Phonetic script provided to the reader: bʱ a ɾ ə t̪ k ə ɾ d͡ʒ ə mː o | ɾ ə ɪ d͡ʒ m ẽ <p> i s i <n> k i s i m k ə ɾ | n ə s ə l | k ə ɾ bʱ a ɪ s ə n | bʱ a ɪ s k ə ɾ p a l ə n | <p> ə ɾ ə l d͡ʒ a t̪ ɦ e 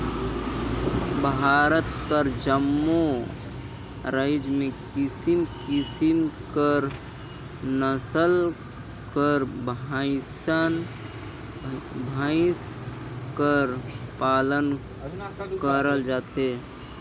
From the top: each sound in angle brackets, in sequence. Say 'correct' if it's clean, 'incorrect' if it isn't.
incorrect: k, incorrect: m, incorrect: k

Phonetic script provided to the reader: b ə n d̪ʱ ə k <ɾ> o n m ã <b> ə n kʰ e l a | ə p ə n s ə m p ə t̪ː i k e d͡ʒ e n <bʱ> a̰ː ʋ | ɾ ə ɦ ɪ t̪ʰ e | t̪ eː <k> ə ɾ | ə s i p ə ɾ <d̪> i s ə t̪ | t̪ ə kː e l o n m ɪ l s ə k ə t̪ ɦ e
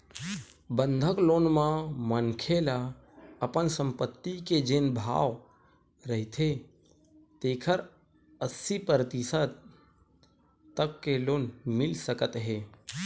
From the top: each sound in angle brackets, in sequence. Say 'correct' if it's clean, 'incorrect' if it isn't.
incorrect: l, incorrect: m, correct, incorrect: kʰ, incorrect: t̪

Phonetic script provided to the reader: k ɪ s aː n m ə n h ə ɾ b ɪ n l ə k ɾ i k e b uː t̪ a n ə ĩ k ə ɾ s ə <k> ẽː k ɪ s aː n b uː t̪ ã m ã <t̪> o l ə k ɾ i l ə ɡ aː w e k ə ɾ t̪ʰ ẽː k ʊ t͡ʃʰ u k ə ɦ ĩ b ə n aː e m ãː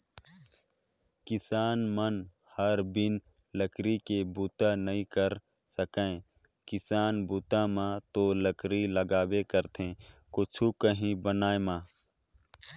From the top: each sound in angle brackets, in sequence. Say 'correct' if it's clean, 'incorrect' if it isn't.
correct, correct

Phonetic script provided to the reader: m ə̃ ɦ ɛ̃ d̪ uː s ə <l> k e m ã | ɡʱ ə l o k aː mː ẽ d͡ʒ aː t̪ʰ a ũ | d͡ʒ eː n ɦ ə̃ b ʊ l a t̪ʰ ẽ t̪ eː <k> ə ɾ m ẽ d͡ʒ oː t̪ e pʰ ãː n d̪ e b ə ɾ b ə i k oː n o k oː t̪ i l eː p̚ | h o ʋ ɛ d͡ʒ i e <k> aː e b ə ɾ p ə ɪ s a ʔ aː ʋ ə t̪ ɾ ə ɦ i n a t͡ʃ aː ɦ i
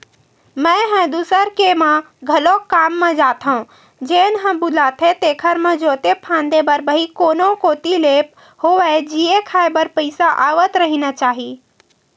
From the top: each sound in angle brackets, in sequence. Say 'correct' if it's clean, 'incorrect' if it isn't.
incorrect: ɾ, incorrect: kʰ, incorrect: kʰ

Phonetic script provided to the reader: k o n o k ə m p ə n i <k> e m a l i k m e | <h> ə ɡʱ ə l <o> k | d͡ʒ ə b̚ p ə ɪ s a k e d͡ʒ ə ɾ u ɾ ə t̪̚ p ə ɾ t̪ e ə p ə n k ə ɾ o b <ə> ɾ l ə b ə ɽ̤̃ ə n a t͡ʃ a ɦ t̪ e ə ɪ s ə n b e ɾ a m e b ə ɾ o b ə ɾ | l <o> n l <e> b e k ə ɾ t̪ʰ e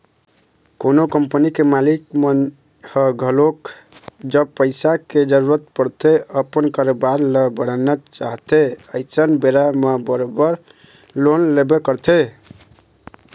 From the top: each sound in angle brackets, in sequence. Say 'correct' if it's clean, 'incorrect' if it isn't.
correct, correct, correct, incorrect: a, correct, correct

